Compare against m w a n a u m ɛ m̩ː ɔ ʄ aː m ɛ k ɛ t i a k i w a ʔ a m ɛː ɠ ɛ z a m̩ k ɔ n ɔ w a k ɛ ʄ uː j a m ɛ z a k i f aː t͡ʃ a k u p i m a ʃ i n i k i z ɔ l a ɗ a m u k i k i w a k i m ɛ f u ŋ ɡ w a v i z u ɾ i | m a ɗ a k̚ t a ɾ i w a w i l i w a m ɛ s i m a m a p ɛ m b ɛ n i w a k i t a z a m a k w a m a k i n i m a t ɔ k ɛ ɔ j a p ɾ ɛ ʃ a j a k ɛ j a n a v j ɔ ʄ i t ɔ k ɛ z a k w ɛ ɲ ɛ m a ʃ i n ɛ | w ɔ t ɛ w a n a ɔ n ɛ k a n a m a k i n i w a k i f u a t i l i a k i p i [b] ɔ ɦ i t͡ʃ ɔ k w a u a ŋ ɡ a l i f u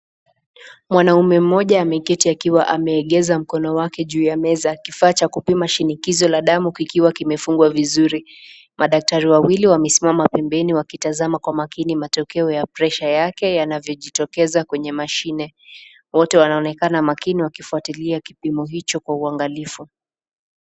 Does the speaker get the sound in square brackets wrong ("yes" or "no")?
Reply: yes